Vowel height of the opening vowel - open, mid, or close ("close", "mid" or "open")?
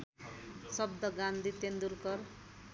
mid